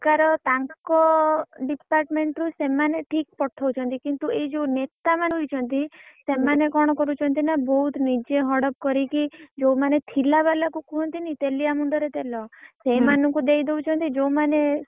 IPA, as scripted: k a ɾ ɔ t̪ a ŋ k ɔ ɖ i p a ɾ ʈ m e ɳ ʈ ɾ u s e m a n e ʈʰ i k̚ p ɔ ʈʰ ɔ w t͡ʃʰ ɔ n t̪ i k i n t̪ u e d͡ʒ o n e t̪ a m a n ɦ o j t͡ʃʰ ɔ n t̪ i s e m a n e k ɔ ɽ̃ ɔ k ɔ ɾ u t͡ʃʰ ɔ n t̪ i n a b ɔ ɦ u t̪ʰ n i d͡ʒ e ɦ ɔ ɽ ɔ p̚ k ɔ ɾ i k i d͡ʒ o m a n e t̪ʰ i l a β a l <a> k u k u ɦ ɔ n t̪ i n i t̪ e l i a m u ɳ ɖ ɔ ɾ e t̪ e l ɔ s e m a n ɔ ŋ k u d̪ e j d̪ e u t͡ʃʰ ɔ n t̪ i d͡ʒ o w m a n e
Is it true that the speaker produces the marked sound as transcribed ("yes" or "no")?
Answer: yes